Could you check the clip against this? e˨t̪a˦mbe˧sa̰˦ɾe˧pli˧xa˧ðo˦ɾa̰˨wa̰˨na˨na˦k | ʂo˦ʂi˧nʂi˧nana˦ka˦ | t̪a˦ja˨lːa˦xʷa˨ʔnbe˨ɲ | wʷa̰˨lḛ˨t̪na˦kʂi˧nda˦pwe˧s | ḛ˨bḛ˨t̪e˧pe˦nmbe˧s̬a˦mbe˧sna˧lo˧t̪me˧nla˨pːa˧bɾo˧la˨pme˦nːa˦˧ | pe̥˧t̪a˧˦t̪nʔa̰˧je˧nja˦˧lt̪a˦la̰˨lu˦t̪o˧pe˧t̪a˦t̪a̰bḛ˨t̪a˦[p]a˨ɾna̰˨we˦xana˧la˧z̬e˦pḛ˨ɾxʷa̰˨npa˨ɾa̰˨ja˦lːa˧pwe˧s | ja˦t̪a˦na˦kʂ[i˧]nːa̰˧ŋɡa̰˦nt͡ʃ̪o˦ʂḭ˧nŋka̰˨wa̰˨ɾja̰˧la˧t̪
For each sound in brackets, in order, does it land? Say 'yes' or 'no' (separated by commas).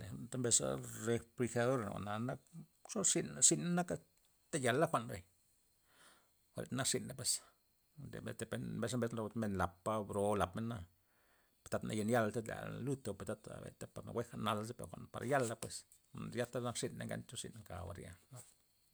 yes, yes